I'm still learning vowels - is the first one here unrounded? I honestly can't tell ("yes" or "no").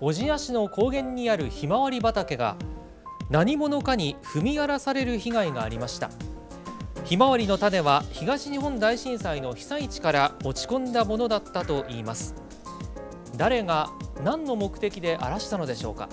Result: no